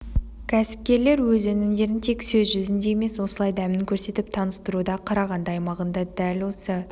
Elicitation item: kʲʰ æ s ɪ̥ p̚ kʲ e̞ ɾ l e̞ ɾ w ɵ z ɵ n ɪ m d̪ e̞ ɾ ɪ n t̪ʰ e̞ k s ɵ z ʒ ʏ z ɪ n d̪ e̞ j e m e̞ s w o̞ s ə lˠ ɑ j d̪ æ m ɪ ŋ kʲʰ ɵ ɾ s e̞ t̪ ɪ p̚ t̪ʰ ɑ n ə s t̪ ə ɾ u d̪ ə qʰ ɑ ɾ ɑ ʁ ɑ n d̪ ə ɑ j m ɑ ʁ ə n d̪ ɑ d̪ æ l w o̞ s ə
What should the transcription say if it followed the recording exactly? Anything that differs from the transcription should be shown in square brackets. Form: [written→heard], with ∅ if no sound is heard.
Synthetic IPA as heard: kʲʰ æ s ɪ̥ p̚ kʲ e̞ ɾ l e̞ ɾ w ɵ z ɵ n ɪ m d̪ e̞ ɾ ɪ n t̪ʰ e̞ k s ɵ z ʒ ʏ z ɪ n d̪ e̞ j e m e̞ s w o̞ s ə lˠ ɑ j d̪ æ m ɪ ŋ kʲʰ ɵ ɾ s e̞ t̪ ɪ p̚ t̪ʰ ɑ n ə s t̪ ə ɾ u d̪ [ə→ɑ] qʰ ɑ ɾ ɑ ʁ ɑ n d̪ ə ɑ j m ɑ ʁ ə n d̪ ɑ d̪ æ l w o̞ s ə